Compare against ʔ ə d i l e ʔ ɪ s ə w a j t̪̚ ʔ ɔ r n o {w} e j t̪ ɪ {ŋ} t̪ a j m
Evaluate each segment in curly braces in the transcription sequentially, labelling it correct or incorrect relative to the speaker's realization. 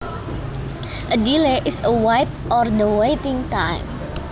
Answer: correct, correct

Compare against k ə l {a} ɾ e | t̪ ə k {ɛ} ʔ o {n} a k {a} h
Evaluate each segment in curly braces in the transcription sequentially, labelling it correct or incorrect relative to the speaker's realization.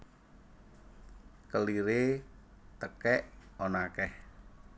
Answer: incorrect: i, correct, correct, incorrect: ɛ

